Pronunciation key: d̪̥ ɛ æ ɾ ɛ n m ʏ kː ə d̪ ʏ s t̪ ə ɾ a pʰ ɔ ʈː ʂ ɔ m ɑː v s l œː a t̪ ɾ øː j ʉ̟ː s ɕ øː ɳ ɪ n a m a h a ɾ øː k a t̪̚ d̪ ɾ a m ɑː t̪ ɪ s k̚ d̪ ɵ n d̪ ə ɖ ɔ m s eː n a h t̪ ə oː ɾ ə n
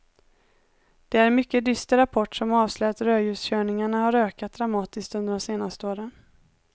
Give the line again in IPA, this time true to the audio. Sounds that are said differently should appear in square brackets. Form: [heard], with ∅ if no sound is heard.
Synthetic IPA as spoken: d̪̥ ɛ æ ɾ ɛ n m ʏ kː ə d̪ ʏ s t̪ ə ɾ a pʰ ɔ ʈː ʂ ɔ m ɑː v s l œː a t̪ ɾ øː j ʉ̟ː s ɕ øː ɳ ɪ [ŋ] a [ɳ] a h a ɾ øː k a t̪̚ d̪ ɾ a m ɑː t̪ ɪ s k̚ [t̪] ɵ n d̪ ə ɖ ɔ m s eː n a [s] t̪ ə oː ɾ ə n